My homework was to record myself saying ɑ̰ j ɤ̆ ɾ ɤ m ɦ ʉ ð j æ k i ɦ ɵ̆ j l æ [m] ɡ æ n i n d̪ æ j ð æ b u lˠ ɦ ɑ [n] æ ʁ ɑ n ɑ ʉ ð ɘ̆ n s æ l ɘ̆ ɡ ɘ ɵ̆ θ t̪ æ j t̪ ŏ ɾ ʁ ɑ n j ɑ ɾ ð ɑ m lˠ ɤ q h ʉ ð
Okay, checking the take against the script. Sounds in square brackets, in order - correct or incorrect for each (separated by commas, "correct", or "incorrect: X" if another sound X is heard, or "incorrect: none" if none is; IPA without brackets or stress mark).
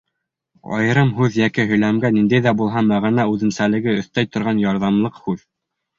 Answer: correct, incorrect: m